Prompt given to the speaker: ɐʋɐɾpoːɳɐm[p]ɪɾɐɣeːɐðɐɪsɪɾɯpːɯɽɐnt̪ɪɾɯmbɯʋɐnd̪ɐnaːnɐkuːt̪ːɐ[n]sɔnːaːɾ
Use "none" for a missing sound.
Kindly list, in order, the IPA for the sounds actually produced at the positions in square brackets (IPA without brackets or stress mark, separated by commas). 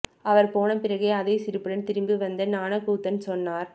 p, n